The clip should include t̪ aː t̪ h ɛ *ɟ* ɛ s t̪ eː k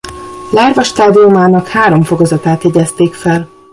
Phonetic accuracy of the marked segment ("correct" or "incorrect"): correct